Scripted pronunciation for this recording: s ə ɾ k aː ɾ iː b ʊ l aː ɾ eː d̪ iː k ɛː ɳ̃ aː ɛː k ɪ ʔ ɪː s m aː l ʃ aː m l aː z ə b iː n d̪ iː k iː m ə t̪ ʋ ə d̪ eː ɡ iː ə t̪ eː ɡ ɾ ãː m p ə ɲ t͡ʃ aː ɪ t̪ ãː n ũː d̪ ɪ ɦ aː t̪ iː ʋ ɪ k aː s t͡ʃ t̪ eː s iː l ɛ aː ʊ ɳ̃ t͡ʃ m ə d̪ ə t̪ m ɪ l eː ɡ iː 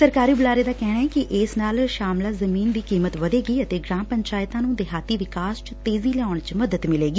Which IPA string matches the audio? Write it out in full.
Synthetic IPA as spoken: s ə ɾ k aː ɾ iː b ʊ l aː ɾ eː d̪ aː k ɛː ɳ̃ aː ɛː k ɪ ʔ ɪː s n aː l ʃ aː m l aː z ə m iː n d̪ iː k iː m ə t̪ ʋ ə d̪ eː ɡ iː ə t̪ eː ɡ ɾ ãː m p ə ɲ t͡ʃ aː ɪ t̪ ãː n ũː d̪ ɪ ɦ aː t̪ iː ʋ ɪ k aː s t͡ʃ t̪ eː z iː l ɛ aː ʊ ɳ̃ t͡ʃ m ə d̪ ə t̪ m ɪ l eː ɡ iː